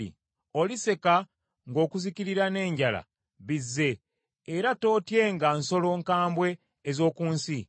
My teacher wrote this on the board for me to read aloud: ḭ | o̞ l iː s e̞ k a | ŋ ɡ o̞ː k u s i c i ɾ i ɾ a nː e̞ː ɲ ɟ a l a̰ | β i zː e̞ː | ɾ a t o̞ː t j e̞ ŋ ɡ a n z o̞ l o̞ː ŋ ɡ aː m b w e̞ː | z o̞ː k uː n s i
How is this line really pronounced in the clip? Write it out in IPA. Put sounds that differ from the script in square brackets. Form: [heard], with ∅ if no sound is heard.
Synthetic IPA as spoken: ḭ | o̞ l [i] s e̞ k a | ŋ ɡ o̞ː k u [z] i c i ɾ i ɾ a [n] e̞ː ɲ ɟ a l a̰ | β i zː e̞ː | ɾ a t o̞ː t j e̞ ŋ ɡ a n [s] o̞ l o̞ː ŋ [k] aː m b w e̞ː | z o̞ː k uː n s i